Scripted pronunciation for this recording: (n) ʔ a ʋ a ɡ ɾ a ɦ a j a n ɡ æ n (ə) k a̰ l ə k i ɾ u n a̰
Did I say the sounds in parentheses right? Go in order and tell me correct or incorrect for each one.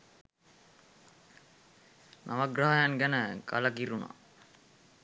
correct, correct

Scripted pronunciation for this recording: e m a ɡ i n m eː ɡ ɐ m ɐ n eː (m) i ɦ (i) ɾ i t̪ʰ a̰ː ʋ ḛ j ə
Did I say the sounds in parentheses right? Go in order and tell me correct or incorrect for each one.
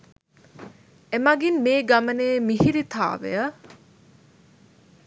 correct, correct

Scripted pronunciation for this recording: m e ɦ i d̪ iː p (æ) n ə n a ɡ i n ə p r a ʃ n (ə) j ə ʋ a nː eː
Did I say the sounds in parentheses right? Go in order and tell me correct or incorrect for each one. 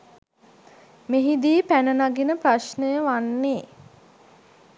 correct, correct

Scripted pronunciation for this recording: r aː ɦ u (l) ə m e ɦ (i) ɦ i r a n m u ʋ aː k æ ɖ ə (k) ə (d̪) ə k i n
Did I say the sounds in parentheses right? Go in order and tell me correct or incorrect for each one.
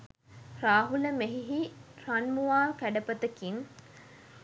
correct, correct, incorrect: p, incorrect: t̪

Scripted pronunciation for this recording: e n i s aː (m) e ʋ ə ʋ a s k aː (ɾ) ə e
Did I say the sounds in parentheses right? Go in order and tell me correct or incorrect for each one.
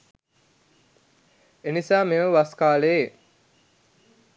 correct, incorrect: l

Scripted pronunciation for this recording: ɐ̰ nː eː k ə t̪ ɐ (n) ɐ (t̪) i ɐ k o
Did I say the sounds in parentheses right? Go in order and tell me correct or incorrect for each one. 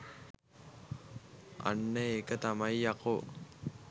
incorrect: m, incorrect: none

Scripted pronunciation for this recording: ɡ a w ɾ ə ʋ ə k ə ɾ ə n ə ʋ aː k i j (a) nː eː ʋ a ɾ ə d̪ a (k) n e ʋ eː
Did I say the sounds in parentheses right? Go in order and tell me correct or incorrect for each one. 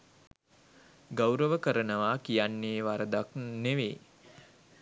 correct, correct

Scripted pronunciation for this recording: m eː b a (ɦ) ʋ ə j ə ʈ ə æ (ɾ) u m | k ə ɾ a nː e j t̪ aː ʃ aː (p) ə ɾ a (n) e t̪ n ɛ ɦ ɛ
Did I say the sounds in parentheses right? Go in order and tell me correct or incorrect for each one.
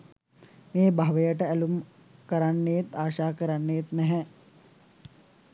correct, incorrect: l, incorrect: k, incorrect: nː

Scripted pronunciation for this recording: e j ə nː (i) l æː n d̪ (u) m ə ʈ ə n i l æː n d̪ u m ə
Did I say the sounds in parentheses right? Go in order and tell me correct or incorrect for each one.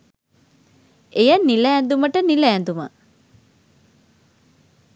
correct, correct

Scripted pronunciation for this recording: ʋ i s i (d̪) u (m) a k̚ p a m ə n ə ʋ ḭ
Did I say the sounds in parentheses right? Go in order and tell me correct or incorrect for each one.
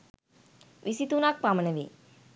incorrect: t̪, incorrect: n

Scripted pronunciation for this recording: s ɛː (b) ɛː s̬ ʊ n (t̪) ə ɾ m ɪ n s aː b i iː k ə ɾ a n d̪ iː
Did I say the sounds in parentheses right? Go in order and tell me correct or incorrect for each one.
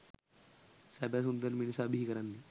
correct, incorrect: d̪

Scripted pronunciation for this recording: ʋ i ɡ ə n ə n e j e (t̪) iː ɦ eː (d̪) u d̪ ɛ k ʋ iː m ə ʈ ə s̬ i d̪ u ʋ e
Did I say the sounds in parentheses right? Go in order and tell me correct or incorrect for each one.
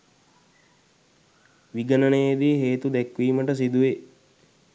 incorrect: d̪, incorrect: t̪

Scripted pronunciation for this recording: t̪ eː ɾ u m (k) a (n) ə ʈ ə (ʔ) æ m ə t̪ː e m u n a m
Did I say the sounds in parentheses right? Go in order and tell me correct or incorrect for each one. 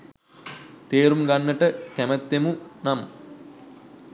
incorrect: ɡ, incorrect: nː, incorrect: k

